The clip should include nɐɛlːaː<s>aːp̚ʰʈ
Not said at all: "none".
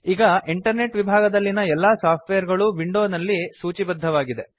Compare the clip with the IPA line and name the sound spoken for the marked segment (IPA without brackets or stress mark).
s